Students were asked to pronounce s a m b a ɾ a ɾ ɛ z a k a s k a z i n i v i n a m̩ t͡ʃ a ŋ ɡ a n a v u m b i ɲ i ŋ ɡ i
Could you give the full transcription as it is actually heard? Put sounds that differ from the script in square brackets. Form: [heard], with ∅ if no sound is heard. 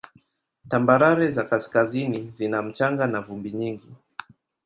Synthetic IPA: [t] a m b a ɾ a ɾ ɛ z a k a s k a z i n i [z] i n a m̩ t͡ʃ a ŋ ɡ a n a v u m b i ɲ i ŋ ɡ i